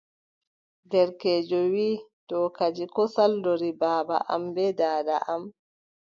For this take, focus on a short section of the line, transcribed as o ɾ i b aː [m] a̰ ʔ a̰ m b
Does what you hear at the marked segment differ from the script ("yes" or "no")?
yes